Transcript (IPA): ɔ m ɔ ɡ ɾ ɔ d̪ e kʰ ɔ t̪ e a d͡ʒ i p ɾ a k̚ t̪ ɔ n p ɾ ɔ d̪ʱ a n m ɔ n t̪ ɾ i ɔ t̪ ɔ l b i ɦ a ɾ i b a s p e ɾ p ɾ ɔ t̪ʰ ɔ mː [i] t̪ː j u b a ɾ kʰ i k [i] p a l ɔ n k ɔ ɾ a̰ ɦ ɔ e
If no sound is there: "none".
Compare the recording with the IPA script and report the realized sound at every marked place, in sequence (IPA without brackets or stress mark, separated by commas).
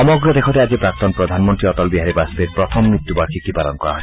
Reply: i, i